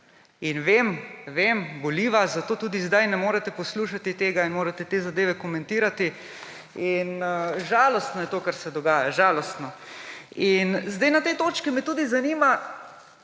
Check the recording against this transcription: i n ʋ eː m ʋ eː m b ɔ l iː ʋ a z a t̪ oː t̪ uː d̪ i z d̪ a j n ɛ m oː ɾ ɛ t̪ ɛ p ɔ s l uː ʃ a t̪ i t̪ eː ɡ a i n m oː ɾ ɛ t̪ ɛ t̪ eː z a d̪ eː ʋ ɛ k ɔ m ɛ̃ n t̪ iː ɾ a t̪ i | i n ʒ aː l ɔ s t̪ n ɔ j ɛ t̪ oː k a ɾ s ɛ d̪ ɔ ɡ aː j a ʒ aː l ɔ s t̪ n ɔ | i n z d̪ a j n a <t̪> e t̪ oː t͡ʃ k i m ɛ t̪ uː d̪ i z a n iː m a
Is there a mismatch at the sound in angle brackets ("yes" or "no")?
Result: no